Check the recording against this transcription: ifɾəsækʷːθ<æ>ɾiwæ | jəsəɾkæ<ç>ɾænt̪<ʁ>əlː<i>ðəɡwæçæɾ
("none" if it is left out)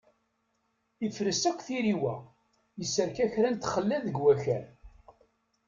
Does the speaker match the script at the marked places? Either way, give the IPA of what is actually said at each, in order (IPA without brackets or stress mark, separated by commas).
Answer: i, ç, χ, æ